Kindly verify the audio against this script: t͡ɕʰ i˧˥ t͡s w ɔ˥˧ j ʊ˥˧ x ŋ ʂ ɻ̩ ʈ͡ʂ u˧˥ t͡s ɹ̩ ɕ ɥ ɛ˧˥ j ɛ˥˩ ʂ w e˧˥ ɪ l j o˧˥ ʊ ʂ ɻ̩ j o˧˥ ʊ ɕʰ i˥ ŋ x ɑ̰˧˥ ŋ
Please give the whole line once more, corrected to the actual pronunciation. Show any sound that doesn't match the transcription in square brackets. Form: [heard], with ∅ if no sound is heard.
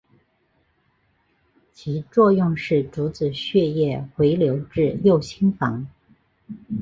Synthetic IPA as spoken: t͡ɕʰ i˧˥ t͡s w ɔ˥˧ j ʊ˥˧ [∅] ŋ ʂ ɻ̩ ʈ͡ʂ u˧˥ t͡s ɹ̩ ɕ ɥ [ɛ˥˧] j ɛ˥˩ [x] w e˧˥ ɪ l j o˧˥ ʊ [ʈ͡ʂ] ɻ̩ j [o˥˩] ʊ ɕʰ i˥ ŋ [f] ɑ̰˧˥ ŋ